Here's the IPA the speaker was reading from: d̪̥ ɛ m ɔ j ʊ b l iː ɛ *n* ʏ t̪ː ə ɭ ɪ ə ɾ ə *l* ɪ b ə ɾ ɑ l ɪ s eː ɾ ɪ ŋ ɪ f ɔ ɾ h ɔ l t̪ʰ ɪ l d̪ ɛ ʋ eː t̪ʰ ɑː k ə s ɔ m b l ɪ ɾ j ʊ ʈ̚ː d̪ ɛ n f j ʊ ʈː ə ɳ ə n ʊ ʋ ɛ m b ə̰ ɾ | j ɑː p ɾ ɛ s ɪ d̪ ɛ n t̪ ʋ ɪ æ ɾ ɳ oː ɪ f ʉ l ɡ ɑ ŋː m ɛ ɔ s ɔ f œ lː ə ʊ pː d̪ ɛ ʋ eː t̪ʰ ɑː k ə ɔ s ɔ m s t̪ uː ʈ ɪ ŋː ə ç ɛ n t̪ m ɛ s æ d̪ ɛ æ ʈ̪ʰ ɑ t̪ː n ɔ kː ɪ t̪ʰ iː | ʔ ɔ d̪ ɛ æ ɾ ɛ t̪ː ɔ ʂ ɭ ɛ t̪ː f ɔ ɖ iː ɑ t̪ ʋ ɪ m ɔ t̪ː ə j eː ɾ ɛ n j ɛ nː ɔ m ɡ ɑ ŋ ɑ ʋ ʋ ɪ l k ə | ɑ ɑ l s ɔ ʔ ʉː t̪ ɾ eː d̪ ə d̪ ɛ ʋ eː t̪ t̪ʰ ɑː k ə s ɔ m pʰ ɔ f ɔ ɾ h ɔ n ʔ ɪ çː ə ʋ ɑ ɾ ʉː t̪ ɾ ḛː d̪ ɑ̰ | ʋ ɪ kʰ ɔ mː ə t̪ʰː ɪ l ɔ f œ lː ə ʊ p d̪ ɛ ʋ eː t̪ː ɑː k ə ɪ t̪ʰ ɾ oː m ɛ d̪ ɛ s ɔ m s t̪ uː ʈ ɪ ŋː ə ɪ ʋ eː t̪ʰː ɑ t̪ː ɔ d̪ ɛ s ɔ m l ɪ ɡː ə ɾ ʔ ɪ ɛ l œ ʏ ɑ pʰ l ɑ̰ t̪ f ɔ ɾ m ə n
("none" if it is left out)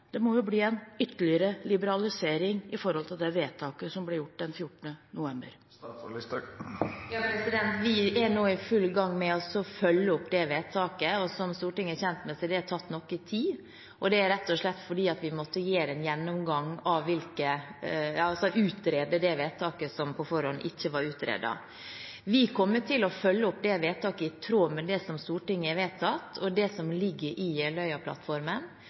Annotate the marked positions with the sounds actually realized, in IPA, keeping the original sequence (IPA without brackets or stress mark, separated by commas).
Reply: n, l